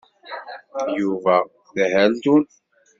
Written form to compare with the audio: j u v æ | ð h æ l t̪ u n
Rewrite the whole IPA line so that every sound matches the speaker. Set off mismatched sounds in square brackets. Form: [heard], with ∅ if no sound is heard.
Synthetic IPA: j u v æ | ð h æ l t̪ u n